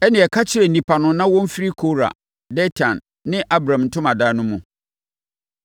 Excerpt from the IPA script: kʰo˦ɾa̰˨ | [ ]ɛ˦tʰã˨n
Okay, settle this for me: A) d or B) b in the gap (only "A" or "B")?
A